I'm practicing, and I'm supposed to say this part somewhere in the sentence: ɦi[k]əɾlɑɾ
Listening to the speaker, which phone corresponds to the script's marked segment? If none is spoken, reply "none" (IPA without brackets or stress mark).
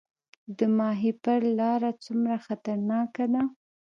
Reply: p